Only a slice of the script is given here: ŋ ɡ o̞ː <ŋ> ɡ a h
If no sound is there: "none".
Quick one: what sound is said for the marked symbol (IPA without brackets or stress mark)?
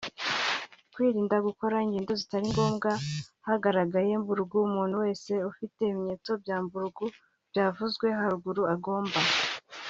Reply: m